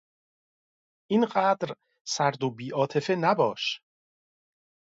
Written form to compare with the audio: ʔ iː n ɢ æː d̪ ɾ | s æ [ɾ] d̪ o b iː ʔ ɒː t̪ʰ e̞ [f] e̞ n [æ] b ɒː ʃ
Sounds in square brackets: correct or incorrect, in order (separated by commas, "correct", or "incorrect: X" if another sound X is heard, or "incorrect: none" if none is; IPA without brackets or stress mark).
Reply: correct, correct, correct